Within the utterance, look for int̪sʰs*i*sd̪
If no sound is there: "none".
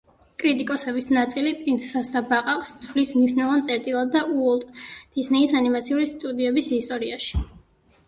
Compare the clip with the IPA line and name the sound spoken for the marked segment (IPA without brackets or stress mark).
a